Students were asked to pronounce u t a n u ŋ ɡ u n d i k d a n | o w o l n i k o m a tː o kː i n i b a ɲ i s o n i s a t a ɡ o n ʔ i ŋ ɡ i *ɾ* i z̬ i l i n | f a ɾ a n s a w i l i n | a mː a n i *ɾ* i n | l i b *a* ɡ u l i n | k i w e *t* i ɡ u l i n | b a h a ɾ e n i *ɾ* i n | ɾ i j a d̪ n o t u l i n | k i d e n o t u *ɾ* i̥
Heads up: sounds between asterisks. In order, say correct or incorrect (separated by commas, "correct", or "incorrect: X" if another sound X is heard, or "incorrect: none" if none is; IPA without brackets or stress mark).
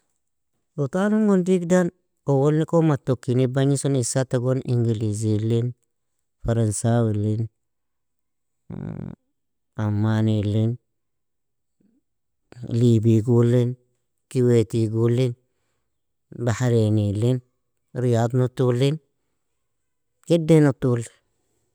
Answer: incorrect: l, incorrect: l, incorrect: i, correct, incorrect: l, incorrect: l